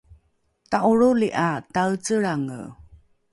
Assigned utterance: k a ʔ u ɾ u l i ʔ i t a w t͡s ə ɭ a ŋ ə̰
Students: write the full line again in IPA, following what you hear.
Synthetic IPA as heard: t a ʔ u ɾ u l i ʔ a t a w t͡s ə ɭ a ŋ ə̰